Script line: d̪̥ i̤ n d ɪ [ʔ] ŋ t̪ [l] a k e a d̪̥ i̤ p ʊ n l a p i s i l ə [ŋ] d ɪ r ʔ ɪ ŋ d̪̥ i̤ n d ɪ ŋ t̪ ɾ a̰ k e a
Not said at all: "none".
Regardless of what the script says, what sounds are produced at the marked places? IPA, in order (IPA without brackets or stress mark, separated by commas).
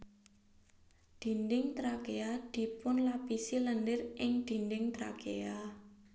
none, ɾ, n